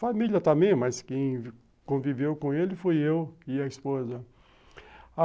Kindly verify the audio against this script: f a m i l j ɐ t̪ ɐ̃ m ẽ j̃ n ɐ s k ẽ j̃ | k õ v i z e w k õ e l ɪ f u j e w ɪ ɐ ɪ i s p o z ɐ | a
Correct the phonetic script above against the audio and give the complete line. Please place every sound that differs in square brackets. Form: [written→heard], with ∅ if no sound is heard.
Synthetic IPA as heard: f a m i l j ɐ t̪ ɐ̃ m ẽ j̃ [n→m] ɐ s k ẽ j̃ | k õ v i [z→v] e w k õ e l ɪ f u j e w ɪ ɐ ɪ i s p o z ɐ | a